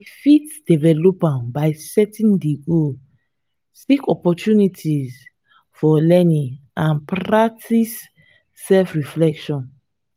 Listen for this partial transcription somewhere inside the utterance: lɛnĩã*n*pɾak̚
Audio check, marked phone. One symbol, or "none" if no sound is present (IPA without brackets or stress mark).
n